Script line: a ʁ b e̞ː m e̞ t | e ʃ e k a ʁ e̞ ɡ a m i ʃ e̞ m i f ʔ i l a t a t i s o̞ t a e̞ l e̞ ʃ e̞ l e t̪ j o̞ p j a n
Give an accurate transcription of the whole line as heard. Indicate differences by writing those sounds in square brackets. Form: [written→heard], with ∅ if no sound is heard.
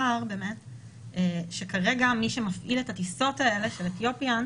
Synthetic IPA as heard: a ʁ b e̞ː m e̞ t | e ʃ e k a ʁ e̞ ɡ a m i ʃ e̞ m [i→a] f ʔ i l [a→e] t a t i s o̞ t a e̞ l e̞ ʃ e̞ l e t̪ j o̞ p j a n